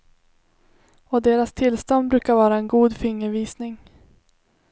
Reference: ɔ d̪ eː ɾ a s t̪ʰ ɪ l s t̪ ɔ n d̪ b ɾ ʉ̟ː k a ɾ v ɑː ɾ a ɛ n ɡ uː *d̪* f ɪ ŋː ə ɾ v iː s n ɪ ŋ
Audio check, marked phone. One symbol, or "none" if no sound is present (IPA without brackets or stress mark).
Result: d̪